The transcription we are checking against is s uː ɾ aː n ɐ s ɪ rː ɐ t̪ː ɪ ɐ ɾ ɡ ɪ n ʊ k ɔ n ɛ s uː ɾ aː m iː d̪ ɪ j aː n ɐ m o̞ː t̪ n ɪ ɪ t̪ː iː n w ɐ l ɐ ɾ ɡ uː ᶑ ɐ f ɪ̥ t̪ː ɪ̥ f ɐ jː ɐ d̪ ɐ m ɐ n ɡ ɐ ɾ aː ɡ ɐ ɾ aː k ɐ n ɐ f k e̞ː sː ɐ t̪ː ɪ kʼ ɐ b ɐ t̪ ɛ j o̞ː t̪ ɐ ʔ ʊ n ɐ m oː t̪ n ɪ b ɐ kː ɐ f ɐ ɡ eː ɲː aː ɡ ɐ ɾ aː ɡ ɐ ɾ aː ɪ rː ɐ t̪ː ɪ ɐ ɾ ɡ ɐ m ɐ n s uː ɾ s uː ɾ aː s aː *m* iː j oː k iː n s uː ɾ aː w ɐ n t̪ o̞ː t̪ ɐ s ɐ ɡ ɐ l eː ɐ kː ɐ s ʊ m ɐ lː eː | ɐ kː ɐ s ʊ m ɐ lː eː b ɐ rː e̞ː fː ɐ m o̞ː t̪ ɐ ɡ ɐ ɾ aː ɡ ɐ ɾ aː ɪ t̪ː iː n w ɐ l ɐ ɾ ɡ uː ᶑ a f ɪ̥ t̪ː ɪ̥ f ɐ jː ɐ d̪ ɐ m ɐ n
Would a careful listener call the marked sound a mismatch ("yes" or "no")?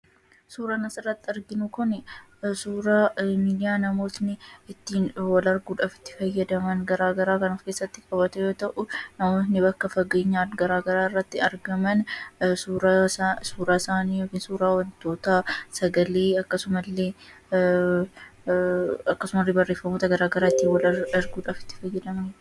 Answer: yes